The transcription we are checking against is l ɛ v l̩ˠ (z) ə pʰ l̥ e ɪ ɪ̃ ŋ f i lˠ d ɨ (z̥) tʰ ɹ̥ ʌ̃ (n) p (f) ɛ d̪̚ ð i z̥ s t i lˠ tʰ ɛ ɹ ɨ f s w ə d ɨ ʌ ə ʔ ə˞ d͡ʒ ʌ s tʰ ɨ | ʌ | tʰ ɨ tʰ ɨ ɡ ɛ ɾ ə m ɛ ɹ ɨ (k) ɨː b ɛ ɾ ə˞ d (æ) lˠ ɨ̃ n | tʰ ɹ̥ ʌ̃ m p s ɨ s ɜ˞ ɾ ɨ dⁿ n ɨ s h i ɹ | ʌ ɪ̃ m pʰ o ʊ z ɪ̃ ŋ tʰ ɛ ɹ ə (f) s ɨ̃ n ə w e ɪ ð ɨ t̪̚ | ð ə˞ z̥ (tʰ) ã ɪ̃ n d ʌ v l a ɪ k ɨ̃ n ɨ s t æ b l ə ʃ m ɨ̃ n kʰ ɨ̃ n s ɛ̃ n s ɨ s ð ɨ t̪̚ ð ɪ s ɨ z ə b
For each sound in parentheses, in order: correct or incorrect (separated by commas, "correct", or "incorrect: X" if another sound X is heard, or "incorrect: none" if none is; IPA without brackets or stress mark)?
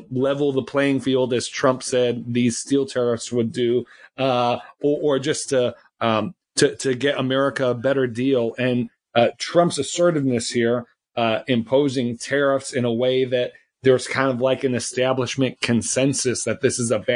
incorrect: ð, correct, incorrect: m, incorrect: s, correct, incorrect: i, correct, incorrect: kʰ